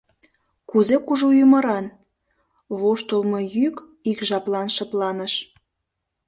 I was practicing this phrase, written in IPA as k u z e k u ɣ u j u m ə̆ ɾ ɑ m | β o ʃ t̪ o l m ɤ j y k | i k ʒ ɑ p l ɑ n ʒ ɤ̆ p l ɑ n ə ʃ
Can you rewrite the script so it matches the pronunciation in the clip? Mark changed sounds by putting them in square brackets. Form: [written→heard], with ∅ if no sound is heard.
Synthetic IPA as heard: k u z e k u [ɣ→ʒ] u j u m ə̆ ɾ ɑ [m→n] | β o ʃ t̪ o l m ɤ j y k | i k ʒ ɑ p l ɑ n [ʒ→ʃ] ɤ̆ p l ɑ n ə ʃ